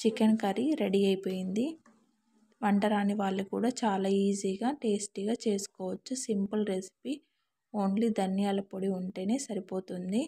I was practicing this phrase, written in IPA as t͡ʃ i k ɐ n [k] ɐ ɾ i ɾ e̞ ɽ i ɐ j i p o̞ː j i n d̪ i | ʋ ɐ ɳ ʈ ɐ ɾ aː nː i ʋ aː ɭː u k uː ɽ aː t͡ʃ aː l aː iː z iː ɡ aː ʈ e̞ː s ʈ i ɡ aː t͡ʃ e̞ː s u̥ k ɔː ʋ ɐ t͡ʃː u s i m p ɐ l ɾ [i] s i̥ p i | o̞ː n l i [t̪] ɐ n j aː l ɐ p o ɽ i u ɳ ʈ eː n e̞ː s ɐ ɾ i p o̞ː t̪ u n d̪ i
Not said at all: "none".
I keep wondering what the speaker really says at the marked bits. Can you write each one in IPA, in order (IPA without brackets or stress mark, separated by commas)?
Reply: k, e, d̪